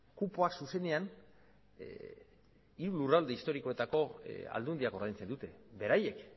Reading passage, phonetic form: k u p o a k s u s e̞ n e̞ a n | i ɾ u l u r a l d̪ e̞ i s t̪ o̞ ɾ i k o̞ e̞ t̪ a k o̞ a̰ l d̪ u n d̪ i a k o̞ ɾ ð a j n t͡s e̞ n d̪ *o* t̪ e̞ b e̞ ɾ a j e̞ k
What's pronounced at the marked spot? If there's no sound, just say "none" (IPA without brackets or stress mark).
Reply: u